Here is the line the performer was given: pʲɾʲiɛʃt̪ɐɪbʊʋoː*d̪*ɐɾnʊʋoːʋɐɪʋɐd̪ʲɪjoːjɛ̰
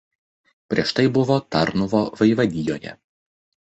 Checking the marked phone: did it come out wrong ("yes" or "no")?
yes